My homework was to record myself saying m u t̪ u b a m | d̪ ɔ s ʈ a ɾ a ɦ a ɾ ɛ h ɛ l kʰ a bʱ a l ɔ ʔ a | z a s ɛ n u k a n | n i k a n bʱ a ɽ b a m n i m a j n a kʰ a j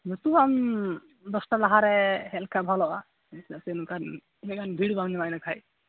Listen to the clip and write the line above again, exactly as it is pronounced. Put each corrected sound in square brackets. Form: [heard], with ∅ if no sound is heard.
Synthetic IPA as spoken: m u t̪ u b a m | d̪ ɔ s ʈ a [l] a ɦ a ɾ ɛ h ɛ l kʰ a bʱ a l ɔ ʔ a | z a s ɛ n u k a n | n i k a n bʱ [i] ɽ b a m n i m a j n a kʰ a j